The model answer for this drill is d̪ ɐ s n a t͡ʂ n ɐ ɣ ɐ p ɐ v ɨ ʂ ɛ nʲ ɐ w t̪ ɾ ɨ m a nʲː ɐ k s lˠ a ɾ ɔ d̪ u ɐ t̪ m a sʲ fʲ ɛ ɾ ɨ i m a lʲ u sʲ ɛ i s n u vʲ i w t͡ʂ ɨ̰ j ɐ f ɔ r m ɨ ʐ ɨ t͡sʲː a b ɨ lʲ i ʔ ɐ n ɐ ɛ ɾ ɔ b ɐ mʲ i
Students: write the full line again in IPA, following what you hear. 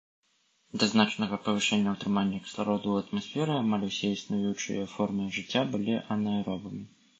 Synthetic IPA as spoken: d̪ ɐ z n a t͡ʂ n ɐ ɣ ɐ p ɐ v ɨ ʂ ɛ nʲː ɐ w t̪ ɾ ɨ m a nʲː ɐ k s lˠ a ɾ ɔ d̪ u ɐ t̪ m a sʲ fʲ ɛ ɾ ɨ a m a lʲ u sʲ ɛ i s n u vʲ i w t͡ʂ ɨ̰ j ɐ f ɔ r m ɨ ʐ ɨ t͡sʲː a b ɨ lʲ i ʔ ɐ n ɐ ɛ ɾ ɔ b ɐ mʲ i